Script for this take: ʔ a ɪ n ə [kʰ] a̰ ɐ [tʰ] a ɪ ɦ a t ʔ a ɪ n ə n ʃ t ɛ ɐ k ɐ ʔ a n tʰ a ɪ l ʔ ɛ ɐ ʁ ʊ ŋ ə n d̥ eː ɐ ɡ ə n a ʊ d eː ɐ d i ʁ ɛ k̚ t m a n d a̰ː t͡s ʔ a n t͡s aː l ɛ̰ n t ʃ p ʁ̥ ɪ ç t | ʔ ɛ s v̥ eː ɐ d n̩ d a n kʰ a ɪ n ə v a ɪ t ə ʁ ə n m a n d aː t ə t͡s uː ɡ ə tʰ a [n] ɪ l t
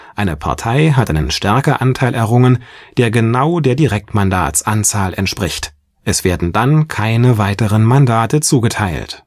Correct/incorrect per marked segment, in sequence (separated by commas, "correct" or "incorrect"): incorrect, correct, incorrect